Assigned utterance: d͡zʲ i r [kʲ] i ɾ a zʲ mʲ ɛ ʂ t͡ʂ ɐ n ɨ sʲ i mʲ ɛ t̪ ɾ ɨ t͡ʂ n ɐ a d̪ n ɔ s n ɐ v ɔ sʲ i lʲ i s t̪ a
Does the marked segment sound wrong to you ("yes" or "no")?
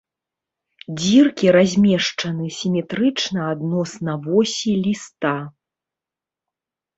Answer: no